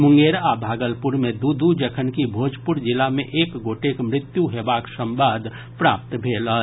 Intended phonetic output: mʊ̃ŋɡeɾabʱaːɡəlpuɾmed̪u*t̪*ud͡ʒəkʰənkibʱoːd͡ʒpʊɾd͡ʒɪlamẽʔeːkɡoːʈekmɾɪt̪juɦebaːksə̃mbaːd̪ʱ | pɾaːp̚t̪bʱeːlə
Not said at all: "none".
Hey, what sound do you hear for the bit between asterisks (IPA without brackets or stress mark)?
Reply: d̪